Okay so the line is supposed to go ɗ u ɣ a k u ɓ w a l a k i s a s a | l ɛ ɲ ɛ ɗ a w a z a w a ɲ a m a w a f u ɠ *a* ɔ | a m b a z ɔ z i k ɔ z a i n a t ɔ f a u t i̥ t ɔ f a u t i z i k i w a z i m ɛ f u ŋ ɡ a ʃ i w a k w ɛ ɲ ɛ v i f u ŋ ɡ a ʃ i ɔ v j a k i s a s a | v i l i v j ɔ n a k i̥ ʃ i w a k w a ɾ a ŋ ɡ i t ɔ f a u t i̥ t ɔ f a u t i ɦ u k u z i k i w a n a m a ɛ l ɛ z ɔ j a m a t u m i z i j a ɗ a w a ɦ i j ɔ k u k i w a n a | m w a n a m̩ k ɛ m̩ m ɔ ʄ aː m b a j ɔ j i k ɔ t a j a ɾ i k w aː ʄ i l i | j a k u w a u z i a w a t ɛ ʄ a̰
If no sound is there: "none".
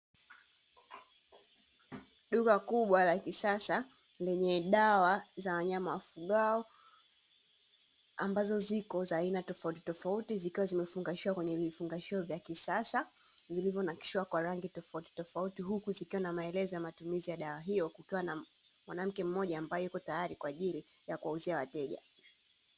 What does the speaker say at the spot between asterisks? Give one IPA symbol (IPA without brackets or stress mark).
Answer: a